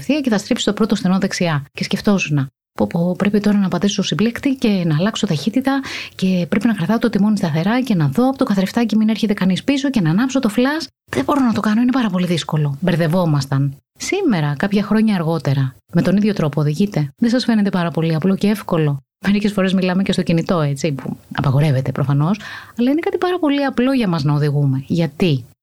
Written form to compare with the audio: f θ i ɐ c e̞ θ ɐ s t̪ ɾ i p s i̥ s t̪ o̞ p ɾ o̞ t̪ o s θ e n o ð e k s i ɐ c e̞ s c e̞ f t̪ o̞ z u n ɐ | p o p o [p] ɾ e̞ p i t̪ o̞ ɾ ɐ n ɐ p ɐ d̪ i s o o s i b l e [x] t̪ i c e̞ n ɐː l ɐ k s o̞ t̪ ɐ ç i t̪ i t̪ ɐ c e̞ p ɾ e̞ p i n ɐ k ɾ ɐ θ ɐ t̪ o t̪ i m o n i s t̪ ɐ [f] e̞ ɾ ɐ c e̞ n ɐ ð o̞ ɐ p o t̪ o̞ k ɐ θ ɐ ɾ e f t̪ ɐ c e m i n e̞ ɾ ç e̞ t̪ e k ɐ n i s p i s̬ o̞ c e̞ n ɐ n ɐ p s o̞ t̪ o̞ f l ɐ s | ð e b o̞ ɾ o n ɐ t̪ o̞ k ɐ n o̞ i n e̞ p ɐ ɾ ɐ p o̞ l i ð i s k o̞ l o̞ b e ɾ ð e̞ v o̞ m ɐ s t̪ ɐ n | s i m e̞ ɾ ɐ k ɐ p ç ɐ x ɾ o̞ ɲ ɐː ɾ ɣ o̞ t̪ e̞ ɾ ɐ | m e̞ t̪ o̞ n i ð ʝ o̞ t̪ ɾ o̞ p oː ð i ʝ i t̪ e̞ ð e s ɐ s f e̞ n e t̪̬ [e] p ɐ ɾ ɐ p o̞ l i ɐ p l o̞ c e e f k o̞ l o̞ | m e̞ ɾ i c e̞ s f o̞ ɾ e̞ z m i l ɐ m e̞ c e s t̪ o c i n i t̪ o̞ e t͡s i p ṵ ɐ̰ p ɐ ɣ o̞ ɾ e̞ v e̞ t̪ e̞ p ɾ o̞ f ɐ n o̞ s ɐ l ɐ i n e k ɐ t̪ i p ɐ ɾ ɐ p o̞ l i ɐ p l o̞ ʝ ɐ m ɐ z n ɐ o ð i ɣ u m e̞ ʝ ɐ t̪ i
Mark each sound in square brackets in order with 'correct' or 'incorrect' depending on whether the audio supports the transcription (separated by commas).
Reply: correct, incorrect, incorrect, correct